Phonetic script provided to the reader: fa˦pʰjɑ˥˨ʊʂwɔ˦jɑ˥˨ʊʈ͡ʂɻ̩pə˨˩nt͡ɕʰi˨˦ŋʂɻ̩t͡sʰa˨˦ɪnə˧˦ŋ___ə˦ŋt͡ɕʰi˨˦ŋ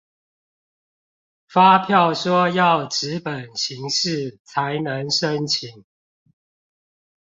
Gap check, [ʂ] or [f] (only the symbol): ʂ